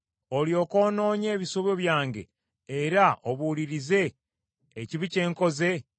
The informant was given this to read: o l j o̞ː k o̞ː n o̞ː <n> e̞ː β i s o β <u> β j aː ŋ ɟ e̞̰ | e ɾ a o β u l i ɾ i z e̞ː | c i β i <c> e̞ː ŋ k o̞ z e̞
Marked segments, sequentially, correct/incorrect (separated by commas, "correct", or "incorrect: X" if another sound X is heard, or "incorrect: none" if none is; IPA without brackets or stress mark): incorrect: ɲ, incorrect: o, correct